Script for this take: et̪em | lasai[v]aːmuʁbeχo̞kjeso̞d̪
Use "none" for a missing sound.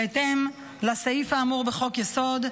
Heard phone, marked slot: f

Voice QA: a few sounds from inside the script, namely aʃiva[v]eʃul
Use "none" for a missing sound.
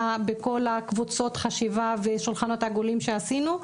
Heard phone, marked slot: v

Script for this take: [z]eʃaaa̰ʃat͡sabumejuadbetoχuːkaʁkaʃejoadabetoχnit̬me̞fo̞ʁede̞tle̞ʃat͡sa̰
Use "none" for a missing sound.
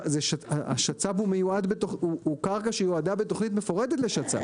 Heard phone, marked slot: z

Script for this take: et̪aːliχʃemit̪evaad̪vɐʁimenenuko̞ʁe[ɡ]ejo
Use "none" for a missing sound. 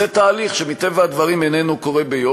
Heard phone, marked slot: b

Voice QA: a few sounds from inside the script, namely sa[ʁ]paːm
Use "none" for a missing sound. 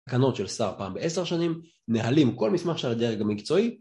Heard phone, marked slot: ʁ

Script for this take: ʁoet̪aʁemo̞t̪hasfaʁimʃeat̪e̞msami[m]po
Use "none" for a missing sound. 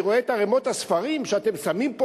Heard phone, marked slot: m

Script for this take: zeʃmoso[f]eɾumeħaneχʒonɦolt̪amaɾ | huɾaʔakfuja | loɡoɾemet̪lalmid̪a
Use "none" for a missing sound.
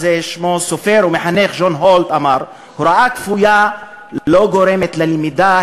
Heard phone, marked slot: f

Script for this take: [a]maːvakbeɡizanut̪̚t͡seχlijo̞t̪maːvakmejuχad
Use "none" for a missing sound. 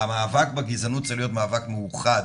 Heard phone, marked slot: a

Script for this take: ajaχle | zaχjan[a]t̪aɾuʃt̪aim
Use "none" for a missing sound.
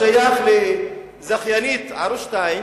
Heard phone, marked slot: i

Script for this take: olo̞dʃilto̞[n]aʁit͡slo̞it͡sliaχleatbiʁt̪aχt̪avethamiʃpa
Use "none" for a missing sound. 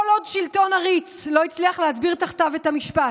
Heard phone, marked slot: n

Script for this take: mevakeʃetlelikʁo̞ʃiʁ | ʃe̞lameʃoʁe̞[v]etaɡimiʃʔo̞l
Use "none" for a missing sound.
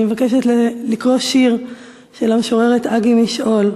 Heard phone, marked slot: ʁ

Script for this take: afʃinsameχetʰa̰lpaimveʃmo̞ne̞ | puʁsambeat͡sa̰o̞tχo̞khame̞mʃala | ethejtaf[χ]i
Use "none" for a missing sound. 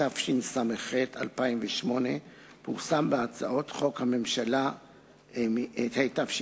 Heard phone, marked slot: ʃ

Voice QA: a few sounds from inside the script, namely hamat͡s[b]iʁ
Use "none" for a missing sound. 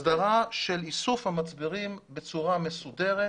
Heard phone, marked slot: b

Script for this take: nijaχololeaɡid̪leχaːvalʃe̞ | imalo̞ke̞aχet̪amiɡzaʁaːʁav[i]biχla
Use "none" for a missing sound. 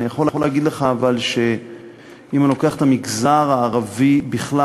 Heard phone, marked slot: i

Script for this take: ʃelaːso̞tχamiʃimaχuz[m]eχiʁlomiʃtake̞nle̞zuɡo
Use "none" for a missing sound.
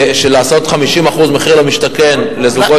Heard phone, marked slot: m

